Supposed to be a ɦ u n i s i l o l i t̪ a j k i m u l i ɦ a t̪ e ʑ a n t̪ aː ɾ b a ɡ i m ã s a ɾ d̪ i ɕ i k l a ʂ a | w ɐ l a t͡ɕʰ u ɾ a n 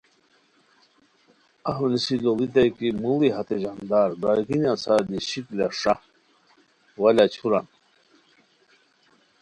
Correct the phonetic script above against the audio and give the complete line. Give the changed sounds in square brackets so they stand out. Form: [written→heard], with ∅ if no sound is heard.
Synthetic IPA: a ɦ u n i s i l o l i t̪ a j k i m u l i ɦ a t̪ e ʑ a n [t̪→d̪] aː ɾ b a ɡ i [m→n] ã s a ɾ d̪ i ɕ i k l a ʂ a | w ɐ l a t͡ɕʰ u ɾ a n